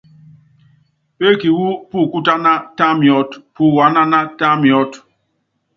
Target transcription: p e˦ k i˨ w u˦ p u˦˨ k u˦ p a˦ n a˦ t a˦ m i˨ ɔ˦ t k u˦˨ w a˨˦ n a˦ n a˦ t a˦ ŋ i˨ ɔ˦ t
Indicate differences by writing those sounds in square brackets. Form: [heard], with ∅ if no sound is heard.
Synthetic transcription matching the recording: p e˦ k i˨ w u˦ p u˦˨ k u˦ [t] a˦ n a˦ t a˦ m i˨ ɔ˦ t [p] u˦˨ w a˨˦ n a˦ n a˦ t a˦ [m] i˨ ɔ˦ t